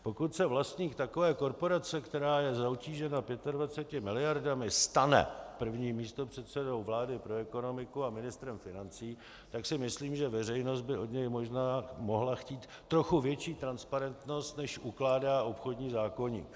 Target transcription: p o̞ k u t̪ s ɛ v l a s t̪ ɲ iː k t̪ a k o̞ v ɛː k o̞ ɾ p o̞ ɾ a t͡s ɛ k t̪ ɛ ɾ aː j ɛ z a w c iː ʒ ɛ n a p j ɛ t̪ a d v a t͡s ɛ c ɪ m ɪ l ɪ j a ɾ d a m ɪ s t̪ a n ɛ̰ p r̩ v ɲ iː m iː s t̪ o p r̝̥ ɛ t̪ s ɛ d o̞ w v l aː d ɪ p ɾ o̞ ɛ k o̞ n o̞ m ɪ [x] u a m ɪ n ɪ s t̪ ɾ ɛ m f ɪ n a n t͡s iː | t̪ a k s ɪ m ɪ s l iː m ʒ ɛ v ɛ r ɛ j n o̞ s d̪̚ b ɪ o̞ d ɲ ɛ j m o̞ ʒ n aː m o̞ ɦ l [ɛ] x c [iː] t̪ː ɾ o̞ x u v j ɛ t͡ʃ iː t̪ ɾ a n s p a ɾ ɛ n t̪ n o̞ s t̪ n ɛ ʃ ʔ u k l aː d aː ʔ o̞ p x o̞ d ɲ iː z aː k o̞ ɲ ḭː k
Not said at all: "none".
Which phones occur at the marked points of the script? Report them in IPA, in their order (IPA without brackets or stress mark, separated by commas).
k, a, iː